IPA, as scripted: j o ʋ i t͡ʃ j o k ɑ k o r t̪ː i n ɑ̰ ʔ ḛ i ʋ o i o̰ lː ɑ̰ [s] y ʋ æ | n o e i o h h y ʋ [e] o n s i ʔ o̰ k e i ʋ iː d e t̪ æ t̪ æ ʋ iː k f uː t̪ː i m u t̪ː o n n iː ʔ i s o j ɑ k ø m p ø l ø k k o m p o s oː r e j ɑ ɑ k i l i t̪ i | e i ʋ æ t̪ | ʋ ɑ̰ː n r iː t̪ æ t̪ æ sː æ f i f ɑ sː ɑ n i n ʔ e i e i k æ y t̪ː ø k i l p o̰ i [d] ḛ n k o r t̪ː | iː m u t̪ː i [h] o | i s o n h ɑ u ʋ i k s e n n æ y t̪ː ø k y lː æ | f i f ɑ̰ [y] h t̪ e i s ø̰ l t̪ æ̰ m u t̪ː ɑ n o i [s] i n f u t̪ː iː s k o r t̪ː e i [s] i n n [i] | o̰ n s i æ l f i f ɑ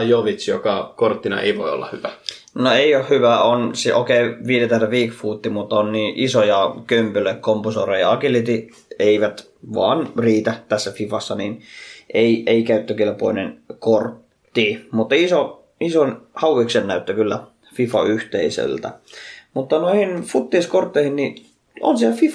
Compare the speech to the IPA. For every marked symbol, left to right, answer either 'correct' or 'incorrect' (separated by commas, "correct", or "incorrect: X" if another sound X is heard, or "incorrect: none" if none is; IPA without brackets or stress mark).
incorrect: h, incorrect: æ, incorrect: n, incorrect: s, correct, incorrect: h, incorrect: h, correct